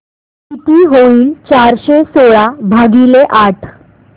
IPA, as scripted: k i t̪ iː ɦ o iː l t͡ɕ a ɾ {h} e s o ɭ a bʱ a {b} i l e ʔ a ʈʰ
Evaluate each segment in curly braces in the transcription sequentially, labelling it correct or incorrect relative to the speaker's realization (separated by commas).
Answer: incorrect, incorrect